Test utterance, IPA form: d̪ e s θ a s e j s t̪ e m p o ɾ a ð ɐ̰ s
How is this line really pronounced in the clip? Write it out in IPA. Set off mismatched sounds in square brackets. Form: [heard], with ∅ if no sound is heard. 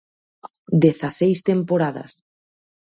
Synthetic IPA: d̪ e [∅] θ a s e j s t̪ e m p o ɾ a ð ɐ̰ s

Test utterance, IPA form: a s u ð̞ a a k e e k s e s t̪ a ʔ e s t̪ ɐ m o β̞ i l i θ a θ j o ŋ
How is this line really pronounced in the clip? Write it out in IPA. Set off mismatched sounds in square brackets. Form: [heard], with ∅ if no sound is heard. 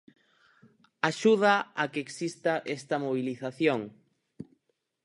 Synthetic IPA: a [ʃ] u ð̞ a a k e e k s [i] s t̪ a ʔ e s t̪ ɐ m o β̞ i l i θ a θ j o ŋ

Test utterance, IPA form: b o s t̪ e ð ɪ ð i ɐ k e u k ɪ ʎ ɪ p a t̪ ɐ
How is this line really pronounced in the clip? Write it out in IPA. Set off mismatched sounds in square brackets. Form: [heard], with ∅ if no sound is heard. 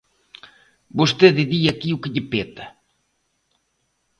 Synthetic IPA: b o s t̪ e ð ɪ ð i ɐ k [i] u k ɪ ʎ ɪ p [e] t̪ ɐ

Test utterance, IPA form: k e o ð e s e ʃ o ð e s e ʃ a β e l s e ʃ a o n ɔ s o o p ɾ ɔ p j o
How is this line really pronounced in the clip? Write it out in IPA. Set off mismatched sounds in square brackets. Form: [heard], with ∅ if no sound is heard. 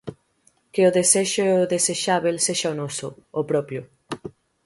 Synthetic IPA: k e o ð e s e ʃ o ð e s e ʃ a β e l s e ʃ a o n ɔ s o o p ɾ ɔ p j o

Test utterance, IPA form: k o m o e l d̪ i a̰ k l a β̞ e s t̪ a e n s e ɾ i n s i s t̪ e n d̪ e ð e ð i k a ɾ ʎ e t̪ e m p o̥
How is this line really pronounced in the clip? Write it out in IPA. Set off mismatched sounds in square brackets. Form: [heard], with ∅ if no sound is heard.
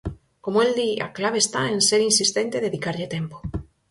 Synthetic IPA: k o m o e l d̪ i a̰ k l a β̞ e s t̪ a e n s e ɾ i n s i s t̪ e n [t̪] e ð e ð i k a ɾ ʎ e t̪ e m p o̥

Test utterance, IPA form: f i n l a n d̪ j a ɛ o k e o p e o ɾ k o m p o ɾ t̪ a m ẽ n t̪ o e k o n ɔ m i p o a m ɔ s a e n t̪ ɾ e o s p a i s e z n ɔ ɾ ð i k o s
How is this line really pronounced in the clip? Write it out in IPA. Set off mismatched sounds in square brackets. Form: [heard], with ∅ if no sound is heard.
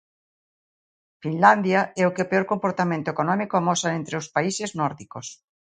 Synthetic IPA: f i n l a n d̪ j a ɛ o k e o p e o ɾ k o m p o ɾ t̪ a m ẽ n t̪ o e k o n ɔ m i [k] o a m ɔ s a e n t̪ ɾ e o s p a i s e z n ɔ ɾ ð i k o s

